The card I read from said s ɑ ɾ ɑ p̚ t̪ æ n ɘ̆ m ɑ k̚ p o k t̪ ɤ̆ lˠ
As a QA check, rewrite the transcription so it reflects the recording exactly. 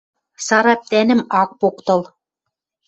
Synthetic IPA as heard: s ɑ ɾ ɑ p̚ t̪ æ n ɘ̆ m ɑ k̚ p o k t̪ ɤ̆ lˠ